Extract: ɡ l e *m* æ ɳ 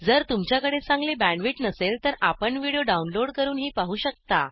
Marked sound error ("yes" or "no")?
yes